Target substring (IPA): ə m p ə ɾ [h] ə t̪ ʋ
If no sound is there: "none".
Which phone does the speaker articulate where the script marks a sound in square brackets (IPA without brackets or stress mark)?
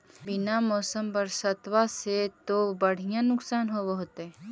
s